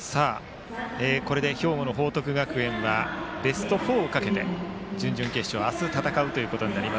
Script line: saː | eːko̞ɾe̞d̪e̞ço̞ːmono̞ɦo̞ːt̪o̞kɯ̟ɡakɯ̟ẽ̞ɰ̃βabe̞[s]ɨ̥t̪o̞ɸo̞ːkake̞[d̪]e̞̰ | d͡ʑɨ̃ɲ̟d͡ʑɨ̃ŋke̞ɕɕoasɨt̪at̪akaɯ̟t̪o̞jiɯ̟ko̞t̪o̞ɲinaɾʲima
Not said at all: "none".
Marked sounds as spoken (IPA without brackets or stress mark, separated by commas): s, t̪